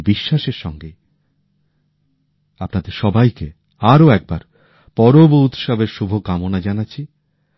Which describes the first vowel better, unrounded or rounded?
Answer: unrounded